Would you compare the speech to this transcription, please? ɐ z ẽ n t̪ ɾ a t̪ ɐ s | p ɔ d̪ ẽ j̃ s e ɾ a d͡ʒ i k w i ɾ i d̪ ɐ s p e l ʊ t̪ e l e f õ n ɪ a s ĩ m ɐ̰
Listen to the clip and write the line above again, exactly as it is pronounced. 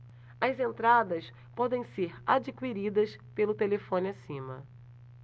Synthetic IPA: ɐ z ẽ n t̪ ɾ a d̪ ɐ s | p ɔ d̪ ẽ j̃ s e ɾ a d͡ʒ i k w i ɾ i d̪ ɐ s p e l ʊ t̪ e l e f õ n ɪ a s ĩ m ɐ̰